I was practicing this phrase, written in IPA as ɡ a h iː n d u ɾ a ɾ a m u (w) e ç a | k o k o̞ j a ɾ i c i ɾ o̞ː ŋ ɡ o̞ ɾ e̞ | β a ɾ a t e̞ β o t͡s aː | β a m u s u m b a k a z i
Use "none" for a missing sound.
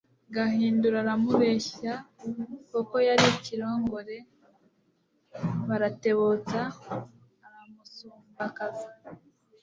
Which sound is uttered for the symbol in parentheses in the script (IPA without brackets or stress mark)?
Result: β